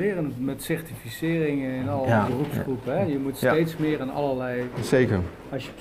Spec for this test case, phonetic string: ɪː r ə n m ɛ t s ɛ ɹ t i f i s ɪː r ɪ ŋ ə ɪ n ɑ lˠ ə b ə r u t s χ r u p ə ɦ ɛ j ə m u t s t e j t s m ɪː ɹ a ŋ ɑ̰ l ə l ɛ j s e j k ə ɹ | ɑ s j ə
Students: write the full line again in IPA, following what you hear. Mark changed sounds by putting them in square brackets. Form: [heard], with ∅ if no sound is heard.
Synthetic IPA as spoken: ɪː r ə n m ɛ t s ɛ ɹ t i f i s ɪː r ɪ ŋ ə ɪ n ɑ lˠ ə b ə r u [p] s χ r u p ə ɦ ɛ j ə m u t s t e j t s m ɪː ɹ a [n] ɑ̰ l ə l ɛ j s e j k ə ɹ | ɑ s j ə